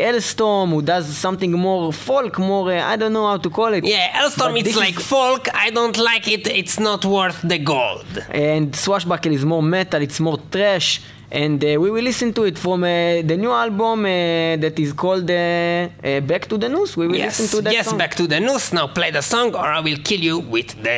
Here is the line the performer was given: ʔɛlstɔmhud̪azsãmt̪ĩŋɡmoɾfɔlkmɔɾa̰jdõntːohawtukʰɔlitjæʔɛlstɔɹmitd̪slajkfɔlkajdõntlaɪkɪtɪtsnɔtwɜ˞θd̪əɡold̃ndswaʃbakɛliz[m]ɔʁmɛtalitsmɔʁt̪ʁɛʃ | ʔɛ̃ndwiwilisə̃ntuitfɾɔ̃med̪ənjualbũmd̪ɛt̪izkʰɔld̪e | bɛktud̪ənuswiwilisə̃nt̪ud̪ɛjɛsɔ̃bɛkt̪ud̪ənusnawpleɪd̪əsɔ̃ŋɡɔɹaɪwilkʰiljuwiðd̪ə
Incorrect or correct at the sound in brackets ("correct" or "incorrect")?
correct